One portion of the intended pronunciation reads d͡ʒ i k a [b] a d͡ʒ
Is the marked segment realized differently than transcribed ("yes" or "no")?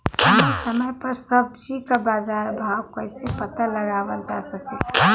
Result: no